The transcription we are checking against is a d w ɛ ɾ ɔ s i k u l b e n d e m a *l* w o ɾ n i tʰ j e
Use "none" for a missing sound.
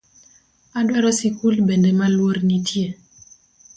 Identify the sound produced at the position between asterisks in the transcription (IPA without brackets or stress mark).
l